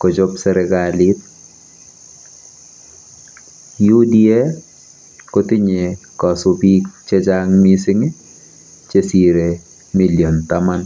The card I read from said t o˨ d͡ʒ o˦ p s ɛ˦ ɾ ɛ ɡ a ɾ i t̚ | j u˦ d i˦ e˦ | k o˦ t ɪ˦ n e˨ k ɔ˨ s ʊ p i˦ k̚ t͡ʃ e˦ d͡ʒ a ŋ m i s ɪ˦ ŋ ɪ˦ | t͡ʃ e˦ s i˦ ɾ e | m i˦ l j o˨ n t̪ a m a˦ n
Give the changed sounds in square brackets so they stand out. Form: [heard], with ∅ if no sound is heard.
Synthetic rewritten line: [k] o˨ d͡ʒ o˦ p s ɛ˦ ɾ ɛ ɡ a [l] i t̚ | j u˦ d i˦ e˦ | k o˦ t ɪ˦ [ɲ] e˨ k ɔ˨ s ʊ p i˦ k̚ t͡ʃ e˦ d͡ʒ a ŋ m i s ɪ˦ ŋ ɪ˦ | t͡ʃ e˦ s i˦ ɾ e | m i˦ l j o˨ n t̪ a m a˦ n